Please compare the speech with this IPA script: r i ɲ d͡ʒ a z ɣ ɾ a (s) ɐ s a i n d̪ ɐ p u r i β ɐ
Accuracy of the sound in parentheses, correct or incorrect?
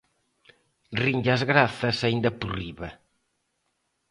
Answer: incorrect